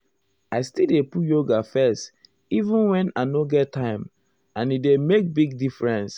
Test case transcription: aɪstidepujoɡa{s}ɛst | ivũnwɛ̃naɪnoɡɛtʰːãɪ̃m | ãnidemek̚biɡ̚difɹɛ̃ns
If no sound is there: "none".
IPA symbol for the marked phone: f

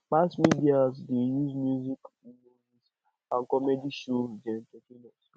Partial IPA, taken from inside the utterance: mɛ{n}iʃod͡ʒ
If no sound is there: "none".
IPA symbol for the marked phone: d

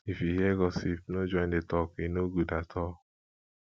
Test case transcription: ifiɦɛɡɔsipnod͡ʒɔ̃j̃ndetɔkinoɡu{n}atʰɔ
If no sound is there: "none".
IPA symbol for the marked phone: d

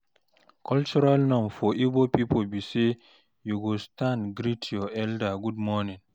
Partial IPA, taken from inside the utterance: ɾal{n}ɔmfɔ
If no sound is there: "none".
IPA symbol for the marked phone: n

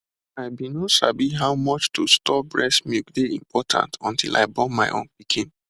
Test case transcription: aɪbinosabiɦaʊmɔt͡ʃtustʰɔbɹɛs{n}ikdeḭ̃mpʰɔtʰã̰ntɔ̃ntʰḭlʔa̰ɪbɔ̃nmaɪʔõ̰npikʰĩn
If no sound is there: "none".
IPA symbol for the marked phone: m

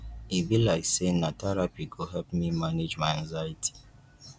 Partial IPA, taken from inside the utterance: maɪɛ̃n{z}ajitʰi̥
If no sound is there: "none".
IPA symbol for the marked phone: z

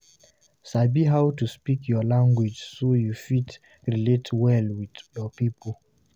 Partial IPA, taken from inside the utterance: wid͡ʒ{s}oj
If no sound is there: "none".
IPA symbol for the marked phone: s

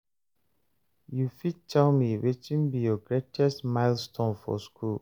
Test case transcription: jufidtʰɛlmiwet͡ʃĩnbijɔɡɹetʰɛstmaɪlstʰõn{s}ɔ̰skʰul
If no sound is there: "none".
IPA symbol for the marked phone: f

